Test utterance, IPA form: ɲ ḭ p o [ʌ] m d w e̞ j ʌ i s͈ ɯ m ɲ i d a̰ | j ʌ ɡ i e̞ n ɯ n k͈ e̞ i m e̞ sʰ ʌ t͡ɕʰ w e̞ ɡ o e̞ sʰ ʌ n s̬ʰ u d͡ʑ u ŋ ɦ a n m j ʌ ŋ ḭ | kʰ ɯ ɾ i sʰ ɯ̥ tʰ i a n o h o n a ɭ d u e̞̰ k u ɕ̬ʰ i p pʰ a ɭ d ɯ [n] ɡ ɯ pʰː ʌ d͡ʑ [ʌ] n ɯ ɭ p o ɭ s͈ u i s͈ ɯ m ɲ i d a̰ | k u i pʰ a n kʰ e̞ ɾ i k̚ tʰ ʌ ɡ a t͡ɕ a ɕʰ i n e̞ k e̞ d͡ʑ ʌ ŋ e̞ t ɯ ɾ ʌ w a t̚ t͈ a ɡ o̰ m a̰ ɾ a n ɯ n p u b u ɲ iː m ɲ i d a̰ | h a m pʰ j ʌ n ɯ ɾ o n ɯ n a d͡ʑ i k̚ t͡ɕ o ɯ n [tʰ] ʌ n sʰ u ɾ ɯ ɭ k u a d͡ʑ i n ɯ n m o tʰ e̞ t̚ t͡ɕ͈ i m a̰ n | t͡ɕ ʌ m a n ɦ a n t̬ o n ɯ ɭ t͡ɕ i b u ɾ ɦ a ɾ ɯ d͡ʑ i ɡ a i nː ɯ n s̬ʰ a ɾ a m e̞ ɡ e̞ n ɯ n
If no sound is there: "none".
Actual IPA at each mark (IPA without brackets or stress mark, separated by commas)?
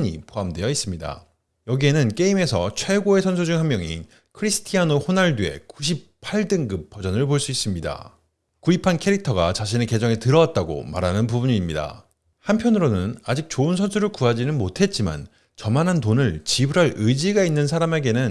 a, ŋ, ʌ, sʰ